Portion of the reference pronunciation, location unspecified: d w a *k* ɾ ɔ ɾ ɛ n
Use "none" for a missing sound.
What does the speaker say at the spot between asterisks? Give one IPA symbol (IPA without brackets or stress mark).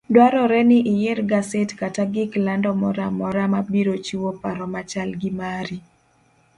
none